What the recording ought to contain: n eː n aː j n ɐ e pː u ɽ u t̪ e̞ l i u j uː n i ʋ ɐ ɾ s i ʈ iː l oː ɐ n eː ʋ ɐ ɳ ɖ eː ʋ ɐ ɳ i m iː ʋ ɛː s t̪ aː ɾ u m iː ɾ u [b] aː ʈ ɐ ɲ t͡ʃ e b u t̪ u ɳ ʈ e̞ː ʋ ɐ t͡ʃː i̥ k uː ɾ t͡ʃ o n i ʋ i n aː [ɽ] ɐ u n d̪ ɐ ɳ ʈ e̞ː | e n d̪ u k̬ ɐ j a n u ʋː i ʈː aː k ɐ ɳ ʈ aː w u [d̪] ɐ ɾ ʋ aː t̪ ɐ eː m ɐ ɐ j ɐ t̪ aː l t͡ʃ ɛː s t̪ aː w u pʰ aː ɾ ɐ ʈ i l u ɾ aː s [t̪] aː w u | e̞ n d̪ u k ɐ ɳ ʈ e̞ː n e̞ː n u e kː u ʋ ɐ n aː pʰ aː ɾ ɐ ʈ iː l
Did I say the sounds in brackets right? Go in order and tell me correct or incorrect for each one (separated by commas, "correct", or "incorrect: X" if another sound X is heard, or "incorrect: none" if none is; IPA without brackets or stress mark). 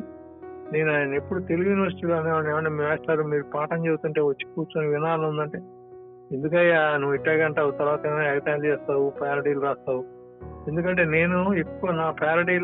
incorrect: p, incorrect: l, incorrect: t̪, correct